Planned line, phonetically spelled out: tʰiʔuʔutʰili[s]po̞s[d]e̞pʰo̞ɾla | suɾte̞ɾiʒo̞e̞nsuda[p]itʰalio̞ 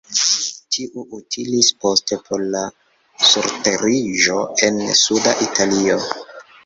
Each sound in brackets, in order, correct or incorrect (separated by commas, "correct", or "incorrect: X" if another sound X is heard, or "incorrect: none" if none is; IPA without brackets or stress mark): correct, incorrect: t, incorrect: ʔ